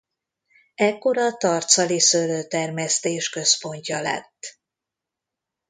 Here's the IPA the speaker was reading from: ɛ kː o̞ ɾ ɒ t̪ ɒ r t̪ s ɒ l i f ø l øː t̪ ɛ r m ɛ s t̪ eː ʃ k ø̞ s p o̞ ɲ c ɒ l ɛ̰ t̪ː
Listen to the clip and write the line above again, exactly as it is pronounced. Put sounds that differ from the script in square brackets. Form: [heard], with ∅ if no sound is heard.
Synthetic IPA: ɛ kː o̞ ɾ ɒ t̪ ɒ r t̪ s ɒ l i [s] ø l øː t̪ ɛ r m ɛ s t̪ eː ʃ k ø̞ s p o̞ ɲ c ɒ l ɛ̰ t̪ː